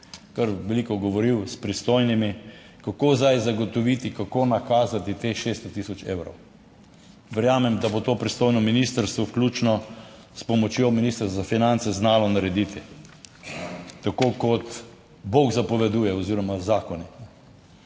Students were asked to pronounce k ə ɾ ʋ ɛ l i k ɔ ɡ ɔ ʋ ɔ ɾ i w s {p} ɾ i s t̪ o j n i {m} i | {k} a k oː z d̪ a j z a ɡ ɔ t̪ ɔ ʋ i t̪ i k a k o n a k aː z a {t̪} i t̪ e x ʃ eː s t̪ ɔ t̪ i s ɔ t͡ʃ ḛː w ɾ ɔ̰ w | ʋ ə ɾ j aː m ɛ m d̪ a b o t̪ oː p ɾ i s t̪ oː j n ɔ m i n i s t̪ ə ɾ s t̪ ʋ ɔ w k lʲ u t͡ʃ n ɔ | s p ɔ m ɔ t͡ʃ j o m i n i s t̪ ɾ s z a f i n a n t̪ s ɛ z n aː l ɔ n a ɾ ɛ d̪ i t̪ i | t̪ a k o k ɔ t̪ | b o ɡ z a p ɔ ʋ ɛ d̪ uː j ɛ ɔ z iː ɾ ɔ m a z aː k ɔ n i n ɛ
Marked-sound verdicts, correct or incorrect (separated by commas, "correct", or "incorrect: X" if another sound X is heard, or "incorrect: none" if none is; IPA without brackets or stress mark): correct, correct, correct, correct